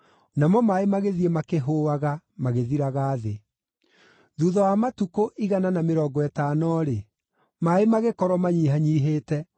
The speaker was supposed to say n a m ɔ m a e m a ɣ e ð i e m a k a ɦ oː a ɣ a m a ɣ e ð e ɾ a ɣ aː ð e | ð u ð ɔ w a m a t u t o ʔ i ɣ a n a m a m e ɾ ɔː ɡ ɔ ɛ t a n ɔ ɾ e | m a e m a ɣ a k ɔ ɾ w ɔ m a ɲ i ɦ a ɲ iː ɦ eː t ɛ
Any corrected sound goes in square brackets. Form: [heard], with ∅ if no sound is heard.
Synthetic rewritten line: n a m ɔ m a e m a ɣ e ð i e m a k [e] ɦ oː a ɣ a m a ɣ e ð [i] ɾ a ɣ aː ð e | ð u ð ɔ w a m a t u [k] o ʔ i ɣ a n a [n] a m e ɾ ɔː ɡ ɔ ɛ t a n ɔ ɾ e | m a e m a ɣ [e] k ɔ ɾ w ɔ m a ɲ i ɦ a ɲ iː ɦ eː t ɛ